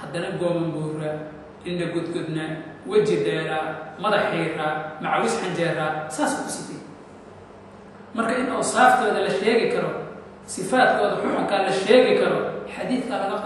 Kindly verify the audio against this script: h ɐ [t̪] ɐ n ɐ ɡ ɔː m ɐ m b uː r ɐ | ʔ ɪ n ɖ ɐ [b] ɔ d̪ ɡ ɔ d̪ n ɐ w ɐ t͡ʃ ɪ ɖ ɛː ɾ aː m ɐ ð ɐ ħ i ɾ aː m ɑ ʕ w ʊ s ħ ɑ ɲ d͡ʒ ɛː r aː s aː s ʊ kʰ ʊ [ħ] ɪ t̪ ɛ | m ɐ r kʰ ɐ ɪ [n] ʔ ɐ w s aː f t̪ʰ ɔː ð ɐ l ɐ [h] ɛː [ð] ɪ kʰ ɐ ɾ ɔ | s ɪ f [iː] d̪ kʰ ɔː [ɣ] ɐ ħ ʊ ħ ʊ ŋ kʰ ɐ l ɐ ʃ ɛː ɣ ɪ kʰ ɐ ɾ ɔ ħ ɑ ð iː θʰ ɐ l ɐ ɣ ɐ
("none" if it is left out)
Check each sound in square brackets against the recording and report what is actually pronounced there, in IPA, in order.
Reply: d̪, ɡ, s, n, ʃ, ɣ, aː, ð

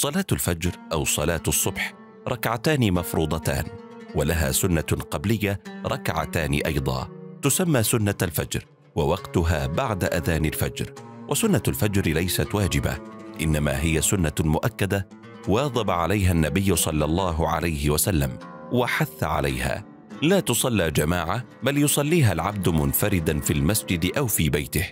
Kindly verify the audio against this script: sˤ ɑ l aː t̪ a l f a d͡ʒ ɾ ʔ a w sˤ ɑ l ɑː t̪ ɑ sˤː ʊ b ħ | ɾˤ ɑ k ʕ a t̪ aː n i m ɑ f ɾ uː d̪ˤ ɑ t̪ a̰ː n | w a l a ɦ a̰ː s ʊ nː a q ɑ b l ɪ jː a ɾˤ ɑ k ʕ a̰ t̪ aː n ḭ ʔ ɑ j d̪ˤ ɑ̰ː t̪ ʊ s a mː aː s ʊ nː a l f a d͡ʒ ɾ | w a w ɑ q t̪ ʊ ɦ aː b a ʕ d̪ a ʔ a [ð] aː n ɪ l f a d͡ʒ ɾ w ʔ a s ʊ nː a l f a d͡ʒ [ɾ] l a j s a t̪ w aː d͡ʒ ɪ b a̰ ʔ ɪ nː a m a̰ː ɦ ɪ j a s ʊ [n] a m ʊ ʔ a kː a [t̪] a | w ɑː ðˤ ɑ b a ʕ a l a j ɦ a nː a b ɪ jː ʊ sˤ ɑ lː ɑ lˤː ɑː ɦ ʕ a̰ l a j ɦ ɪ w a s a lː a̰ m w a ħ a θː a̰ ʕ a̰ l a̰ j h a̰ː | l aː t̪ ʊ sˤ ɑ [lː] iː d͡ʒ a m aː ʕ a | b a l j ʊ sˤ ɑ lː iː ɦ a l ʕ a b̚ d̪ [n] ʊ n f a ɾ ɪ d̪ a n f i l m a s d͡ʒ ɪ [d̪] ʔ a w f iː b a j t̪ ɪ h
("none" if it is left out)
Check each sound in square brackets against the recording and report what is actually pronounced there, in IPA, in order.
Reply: ð, ɾ, nː, d̪, lː, m, d̪

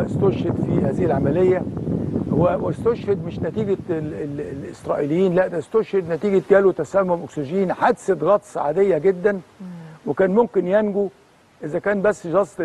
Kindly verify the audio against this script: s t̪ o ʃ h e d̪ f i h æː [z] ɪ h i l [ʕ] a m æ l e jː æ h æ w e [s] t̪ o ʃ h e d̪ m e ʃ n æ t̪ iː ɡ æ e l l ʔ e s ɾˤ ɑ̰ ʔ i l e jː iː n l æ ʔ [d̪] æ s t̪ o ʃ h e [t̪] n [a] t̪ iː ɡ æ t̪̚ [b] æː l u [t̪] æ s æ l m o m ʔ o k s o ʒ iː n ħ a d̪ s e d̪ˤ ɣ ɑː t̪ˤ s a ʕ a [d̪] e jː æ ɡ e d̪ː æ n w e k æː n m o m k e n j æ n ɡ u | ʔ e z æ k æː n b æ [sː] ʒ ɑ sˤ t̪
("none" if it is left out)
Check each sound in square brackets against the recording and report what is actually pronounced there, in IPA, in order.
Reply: z, ʕ, s, d̪, d̪, æ, ɡ, t̪, d̪, sː

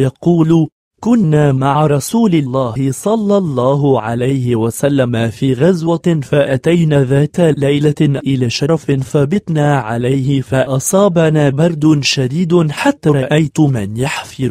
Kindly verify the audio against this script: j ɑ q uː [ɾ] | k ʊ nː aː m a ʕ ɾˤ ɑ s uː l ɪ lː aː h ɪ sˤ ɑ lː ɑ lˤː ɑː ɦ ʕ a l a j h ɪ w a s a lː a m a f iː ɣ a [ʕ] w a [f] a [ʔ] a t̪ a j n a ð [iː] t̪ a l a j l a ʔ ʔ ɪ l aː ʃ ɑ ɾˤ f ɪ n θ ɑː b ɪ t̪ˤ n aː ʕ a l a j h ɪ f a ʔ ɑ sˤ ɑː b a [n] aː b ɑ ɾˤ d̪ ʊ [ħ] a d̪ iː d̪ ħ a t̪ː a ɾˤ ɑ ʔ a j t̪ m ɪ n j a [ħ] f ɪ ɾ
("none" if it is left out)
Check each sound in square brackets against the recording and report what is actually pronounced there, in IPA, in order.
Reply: l, z, f, ʔ, aː, n, ʃ, ħ

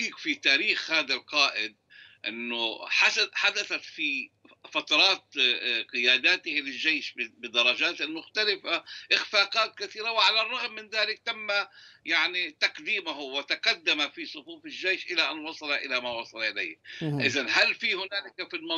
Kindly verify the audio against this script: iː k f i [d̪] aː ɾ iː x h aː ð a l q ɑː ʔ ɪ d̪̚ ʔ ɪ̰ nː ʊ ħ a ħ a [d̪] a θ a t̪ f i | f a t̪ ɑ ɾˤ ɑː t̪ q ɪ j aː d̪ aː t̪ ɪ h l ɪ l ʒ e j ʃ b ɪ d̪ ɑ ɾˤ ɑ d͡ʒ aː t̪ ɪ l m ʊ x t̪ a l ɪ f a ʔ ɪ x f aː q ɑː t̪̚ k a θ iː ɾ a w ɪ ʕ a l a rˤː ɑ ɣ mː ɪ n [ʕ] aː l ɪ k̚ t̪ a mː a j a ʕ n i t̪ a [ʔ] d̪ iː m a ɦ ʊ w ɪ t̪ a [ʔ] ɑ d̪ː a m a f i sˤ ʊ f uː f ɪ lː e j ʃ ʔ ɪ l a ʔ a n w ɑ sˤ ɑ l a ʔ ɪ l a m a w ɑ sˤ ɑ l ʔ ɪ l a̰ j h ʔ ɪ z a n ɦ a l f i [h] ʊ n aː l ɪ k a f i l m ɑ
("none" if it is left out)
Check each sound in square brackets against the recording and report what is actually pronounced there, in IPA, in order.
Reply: t̪, d̪, ð, q, q, h

